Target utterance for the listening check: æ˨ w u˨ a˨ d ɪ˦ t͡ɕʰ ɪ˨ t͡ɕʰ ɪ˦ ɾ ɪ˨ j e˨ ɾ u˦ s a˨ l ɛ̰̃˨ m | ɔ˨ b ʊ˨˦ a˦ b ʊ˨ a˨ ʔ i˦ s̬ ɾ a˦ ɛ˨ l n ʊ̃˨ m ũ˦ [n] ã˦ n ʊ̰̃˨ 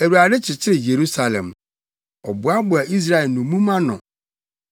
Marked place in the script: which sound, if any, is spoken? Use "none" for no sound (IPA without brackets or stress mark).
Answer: m